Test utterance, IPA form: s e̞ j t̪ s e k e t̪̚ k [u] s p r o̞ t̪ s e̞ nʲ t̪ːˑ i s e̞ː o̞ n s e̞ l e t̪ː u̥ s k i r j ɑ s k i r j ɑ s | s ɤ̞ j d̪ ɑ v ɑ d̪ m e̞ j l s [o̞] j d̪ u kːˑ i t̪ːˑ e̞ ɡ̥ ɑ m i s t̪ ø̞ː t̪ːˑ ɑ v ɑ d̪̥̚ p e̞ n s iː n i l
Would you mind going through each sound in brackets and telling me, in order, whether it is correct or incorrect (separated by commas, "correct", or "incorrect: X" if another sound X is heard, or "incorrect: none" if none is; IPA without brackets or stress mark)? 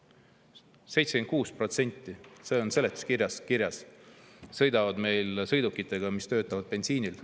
incorrect: uː, incorrect: ɤ̞